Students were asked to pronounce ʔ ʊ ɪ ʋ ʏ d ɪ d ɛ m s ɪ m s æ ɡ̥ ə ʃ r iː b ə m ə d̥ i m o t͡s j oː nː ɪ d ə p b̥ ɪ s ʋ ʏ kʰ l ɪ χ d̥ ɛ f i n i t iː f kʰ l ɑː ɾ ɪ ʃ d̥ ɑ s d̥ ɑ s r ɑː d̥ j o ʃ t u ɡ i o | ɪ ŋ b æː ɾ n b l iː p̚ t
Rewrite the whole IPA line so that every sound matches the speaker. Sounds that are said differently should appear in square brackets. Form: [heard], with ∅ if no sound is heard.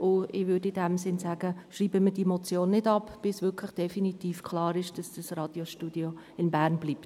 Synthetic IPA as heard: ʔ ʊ ɪ ʋ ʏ d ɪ d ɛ m s ɪ [n] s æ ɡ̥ ə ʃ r iː b ə m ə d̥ i m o t͡s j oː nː ɪ d [ɑ] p b̥ ɪ s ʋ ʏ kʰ l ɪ χ d̥ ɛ f i n i t iː f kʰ l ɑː ɾ ɪ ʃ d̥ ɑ s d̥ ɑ s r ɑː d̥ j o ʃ t u [d] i o | ɪ [n] b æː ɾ n b l iː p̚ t